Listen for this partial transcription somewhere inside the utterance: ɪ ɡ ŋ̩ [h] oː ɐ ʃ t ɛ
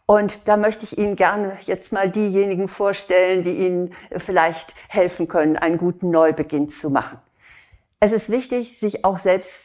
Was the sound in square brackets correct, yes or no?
no